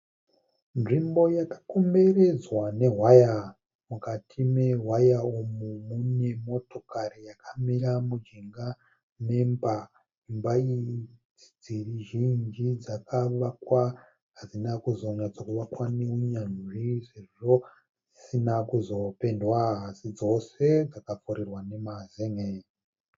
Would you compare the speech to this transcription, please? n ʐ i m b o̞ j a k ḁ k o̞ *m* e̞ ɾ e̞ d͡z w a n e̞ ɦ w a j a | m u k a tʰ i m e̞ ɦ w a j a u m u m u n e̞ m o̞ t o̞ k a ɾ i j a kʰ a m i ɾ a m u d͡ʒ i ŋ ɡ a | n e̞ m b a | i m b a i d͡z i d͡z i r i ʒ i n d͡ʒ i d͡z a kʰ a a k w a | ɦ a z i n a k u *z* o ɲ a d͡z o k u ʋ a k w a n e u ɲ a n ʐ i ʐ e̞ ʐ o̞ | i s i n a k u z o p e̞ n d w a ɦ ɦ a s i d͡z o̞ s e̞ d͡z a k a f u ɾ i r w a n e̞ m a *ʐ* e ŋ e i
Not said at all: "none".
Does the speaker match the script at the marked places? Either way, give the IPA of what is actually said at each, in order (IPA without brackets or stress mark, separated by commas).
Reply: m, z, z